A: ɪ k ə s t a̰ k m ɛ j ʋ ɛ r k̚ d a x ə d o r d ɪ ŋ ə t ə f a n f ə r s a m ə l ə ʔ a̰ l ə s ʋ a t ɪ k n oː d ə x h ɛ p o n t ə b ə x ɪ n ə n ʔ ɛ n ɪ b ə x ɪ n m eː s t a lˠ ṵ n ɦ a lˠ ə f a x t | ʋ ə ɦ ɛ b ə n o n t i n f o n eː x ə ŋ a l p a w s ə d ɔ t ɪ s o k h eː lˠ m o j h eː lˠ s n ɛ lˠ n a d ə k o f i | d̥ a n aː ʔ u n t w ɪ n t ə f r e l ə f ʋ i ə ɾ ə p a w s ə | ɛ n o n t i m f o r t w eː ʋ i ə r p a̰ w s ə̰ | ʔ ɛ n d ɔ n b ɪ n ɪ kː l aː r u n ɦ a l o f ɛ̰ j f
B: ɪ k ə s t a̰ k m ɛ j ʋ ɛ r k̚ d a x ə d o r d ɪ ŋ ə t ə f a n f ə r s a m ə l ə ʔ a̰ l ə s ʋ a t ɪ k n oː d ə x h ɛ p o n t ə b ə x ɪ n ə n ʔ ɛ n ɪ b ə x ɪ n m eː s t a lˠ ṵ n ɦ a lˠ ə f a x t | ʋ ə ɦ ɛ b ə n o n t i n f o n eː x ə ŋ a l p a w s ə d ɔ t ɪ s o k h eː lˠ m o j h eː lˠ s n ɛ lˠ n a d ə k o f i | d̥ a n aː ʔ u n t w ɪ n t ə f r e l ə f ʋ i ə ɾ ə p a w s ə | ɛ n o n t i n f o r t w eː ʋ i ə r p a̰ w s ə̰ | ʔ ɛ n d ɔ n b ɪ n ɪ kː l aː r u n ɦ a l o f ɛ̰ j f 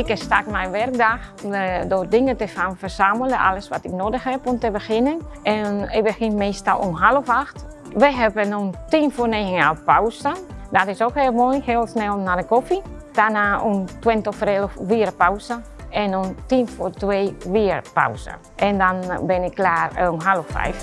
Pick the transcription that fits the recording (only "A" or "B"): B